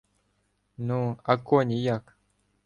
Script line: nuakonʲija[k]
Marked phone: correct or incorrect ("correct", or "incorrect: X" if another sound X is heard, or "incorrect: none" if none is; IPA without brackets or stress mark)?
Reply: correct